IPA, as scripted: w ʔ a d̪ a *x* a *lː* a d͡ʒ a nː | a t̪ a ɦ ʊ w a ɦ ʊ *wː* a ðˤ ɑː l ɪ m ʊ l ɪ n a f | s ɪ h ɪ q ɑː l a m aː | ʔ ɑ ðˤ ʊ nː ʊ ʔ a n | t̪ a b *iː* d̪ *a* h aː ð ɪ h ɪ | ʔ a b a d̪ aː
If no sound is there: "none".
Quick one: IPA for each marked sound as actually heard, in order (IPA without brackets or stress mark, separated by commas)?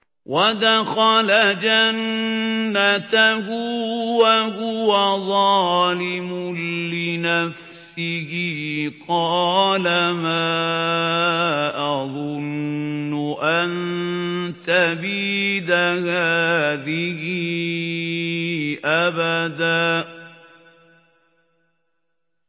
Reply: x, l, w, iː, a